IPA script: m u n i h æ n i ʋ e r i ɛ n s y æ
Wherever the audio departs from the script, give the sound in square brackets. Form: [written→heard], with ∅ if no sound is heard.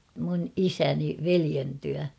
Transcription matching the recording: m u n i [h→s] æ n i ʋ e [r→l] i [ɛ→e] n [s→t] y æ

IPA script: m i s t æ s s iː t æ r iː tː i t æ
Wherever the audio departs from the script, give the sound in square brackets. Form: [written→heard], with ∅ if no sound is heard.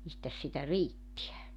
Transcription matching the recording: m i s t æ s s [iː→i] t æ r iː tː i [t→∅] æ

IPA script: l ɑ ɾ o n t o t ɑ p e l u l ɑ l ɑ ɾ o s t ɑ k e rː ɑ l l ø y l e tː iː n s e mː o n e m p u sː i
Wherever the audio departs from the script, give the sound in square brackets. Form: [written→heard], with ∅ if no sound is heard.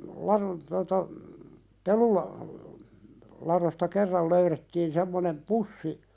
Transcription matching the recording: l ɑ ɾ o n t o t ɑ p e l u l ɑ l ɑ ɾ o s t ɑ k e rː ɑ l l ø y [l→ɾ] e tː iː n s e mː o n e m p u sː i

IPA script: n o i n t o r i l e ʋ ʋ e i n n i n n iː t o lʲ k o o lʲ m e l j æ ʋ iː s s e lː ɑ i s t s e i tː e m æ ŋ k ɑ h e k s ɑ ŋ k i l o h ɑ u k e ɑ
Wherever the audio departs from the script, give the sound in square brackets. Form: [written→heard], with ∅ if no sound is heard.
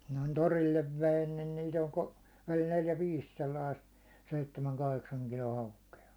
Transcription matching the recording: n o i n t o r i [l→lː] e ʋ ʋ e i n n i n n iː t o lʲ k o o lʲ [m→n] e l j æ ʋ iː s s e lː ɑ i s t s e i tː e m æ ŋ k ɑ h e k s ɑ ŋ k i l o h ɑ u k e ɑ

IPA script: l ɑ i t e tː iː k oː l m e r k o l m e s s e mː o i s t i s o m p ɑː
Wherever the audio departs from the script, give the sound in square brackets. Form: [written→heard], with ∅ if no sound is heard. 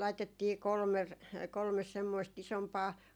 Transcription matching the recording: l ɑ i t e tː iː k [oː→o] l m e r k o l m e s s e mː o i s t i s o m p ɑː

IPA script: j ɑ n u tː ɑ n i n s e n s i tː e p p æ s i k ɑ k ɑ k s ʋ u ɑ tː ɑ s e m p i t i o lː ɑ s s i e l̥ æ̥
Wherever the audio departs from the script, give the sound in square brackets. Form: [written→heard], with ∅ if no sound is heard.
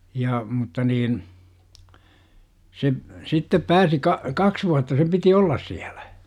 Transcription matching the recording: j ɑ [n→m] u tː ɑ n [i→iː] n s e [n→∅] s i tː e p p [æ→æː] s i k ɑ k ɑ k s ʋ u ɑ tː ɑ s e m p i t i o lː ɑ s s i [e→æ] l̥ æ̥

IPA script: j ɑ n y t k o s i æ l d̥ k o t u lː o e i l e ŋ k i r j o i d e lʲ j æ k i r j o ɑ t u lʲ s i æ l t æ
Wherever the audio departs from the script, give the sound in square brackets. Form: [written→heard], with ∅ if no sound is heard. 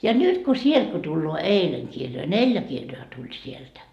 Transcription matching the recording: j ɑ n y t k o s i [æ→e] l d̥ k o t u lː [o→oː] e i l e ŋ k i r j o i [d→n] e lʲ j æ k i r j o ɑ t u lʲ s i [æ→e] l t æ

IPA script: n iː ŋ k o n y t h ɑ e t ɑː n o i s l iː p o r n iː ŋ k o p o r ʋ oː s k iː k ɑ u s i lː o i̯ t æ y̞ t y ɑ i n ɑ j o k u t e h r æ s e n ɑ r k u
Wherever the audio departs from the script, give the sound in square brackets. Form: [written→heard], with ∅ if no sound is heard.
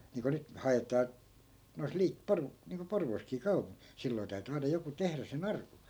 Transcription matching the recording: n iː ŋ k o n y t h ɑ e t ɑː n o i s l iː p o r n iː ŋ k o p o r ʋ oː s k iː k ɑ u s i lː o i̯ t æ y̞ t y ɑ i n ɑ j o k u t e h r æ s e n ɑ r k u

